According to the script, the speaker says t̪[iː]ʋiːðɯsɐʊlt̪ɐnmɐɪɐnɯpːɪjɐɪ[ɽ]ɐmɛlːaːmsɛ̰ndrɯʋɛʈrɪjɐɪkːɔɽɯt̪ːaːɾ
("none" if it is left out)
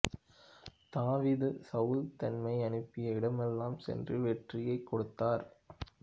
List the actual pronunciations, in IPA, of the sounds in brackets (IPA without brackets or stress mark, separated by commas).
aː, ɽ